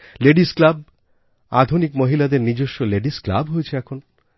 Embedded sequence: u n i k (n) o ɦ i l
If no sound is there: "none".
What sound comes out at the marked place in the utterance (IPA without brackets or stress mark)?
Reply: m